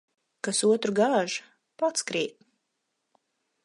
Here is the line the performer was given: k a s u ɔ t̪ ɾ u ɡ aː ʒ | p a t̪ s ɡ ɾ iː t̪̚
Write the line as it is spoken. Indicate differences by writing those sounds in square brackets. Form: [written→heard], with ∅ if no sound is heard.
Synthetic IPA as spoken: k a s u ɔ t̪ ɾ u ɡ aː ʒ | p a t̪ s [ɡ→k] ɾ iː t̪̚